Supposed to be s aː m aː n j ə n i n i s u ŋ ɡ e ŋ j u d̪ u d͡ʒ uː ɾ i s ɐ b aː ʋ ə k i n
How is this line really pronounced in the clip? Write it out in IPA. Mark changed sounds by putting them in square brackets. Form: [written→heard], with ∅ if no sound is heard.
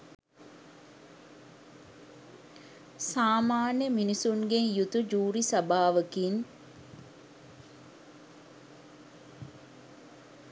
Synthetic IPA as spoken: s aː m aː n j ə [n→m] i n i s u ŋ ɡ e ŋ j u [d̪→t̪] u d͡ʒ uː ɾ i s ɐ b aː ʋ ə k i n